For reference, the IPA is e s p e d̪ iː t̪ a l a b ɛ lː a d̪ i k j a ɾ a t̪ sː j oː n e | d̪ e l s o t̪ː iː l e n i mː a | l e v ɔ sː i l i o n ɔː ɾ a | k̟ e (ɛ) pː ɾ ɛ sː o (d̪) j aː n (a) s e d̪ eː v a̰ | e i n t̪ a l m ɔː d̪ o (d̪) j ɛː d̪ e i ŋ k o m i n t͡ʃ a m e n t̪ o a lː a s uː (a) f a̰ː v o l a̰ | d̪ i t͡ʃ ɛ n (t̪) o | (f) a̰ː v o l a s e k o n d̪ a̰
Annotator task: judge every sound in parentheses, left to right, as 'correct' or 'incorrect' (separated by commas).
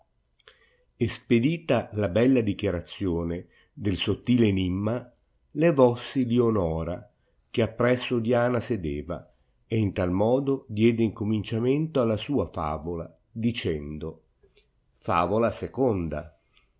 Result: incorrect, correct, correct, correct, correct, incorrect, correct